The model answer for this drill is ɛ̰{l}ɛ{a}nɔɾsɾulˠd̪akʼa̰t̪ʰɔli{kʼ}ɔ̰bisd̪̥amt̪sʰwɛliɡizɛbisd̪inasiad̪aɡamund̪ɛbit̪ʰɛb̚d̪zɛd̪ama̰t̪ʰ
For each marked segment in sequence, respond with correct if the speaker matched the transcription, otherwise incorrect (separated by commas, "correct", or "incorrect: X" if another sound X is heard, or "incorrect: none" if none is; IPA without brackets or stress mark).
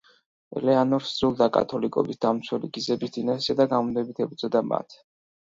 correct, correct, correct